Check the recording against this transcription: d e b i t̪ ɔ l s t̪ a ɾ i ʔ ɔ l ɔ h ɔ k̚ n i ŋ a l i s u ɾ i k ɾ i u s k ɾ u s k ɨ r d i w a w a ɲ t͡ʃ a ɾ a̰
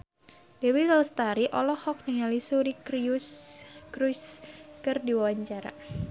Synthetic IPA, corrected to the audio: d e w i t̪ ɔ l s t̪ a ɾ i ʔ ɔ l ɔ h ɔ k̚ n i ŋ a l i s u ɾ i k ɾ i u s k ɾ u s k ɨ r d i w a w a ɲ t͡ʃ a ɾ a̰